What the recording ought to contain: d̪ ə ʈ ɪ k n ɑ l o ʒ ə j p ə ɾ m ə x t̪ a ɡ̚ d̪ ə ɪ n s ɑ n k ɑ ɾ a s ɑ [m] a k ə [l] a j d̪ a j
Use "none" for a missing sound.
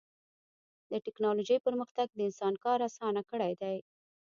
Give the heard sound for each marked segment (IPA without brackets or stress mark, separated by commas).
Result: n, ɽ